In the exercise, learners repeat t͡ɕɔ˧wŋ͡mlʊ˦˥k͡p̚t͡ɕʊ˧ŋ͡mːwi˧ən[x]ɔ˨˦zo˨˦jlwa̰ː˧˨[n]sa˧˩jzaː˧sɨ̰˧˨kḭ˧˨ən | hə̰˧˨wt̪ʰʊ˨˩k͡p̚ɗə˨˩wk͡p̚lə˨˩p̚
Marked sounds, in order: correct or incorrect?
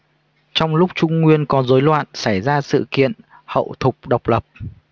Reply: incorrect: k, correct

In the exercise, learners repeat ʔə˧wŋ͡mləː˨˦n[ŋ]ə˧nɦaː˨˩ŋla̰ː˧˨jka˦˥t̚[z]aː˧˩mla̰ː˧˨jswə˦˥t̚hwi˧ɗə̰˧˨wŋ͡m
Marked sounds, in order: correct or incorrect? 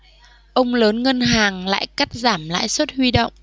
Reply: correct, correct

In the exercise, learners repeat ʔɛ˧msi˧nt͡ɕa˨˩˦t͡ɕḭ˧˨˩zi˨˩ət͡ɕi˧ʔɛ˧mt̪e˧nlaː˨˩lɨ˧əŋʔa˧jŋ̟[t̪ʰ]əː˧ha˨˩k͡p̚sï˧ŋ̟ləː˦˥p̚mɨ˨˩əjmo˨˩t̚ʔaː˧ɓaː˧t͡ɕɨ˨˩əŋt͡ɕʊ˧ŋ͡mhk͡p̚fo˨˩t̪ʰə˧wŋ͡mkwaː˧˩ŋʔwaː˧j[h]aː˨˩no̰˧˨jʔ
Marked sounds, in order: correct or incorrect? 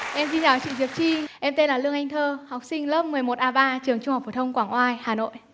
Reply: correct, correct

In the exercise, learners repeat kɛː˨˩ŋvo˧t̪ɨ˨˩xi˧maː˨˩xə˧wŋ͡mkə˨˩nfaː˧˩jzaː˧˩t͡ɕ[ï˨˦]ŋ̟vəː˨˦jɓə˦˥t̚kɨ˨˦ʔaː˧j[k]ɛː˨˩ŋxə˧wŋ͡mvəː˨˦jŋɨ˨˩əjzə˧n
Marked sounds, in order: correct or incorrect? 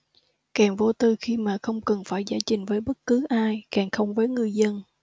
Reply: incorrect: ï˨˩, correct

